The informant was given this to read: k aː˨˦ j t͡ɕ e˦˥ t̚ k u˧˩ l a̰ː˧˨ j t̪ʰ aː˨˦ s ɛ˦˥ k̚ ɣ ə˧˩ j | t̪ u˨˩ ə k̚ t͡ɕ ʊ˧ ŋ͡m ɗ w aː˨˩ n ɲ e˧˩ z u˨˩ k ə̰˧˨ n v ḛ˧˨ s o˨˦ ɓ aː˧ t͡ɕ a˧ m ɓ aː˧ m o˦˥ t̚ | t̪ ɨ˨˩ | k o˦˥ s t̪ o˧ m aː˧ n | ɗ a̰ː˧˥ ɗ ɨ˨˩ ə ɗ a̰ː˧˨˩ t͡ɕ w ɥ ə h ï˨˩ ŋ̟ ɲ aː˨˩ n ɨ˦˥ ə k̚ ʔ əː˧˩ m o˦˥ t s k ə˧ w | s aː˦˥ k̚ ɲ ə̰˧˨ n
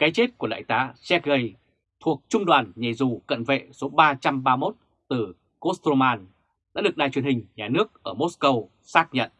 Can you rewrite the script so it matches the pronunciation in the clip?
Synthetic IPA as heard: k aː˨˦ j t͡ɕ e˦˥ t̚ k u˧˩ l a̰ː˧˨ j t̪ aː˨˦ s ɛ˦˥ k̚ ɣ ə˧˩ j | t̪ʰ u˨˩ ə k̚ t͡ɕ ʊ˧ ŋ͡m ɗ w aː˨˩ n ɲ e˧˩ z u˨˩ k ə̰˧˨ n v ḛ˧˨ s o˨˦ ɓ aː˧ t͡ɕ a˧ m ɓ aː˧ m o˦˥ t̚ | t̪ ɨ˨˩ | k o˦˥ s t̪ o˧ m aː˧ n | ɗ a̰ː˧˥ ɗ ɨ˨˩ ə ɗ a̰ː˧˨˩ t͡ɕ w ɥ ə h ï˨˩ ŋ̟ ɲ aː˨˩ n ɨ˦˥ ə k̚ ʔ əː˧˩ m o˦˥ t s k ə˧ w | s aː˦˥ k̚ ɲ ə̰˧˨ n